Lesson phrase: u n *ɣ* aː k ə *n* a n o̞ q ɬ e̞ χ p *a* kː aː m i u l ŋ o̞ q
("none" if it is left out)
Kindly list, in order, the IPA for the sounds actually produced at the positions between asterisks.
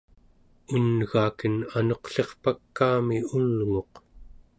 ɣ, n, a

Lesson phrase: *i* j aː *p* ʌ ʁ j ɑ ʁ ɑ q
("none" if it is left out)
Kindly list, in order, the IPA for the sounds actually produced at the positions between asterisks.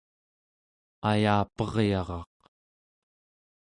a, p

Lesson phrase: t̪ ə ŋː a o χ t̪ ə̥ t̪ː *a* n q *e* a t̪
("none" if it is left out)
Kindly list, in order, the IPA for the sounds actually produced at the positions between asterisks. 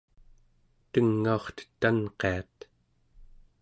a, e

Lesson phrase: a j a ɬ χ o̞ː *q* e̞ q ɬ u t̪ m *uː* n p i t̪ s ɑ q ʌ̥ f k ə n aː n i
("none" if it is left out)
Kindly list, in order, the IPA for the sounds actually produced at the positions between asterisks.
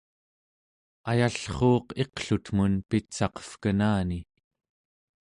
q, u

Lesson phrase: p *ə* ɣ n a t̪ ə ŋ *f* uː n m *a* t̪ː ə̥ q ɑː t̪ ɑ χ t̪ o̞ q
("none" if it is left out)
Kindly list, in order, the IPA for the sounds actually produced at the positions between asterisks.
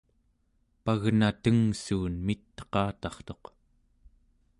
a, s, i

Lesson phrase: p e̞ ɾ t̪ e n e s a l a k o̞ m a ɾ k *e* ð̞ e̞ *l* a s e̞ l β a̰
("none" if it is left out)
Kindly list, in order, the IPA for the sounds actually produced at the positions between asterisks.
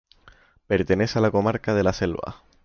a, l

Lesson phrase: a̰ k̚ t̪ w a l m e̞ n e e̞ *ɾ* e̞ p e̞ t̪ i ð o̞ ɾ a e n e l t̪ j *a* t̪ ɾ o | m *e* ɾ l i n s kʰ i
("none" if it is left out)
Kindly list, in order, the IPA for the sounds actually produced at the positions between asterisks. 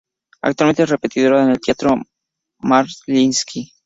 r, a, a

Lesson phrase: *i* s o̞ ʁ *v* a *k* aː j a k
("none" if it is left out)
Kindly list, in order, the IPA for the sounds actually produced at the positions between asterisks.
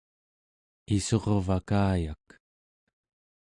i, v, k

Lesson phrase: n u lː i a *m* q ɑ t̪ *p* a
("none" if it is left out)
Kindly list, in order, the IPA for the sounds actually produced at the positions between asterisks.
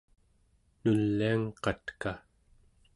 ŋ, k

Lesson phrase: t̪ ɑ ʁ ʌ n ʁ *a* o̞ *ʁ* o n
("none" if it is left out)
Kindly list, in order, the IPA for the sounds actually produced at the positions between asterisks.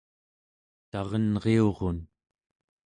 e, ʁ

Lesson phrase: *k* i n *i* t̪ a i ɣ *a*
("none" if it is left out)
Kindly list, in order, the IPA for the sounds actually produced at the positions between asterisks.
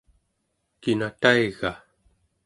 k, a, a

